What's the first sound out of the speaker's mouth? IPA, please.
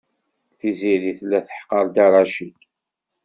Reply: θ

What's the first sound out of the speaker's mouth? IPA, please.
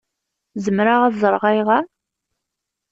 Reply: z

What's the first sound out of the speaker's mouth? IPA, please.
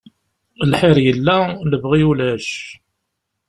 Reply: l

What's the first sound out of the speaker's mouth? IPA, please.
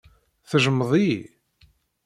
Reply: θ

